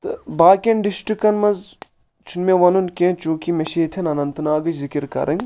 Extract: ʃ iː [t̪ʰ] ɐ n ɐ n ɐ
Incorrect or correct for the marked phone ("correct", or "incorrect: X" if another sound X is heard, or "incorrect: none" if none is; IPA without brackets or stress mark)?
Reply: correct